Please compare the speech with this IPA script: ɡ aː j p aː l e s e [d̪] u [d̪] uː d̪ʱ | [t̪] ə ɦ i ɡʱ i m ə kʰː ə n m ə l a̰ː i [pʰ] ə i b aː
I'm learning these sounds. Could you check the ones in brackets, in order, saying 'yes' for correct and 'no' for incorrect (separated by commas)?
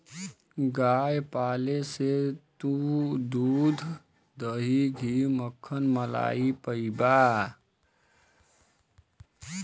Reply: no, yes, no, no